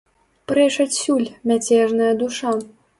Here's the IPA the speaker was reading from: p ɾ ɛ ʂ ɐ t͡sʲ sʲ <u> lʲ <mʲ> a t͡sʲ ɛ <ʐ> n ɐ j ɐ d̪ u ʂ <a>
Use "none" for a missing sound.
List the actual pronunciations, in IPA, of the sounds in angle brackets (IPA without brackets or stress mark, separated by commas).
u, mʲ, ʐ, a